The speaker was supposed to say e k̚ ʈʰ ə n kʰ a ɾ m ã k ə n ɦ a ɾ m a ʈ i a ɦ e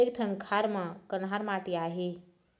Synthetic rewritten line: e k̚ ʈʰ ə n kʰ a ɾ m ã k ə n ɦ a ɾ m a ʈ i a ɦ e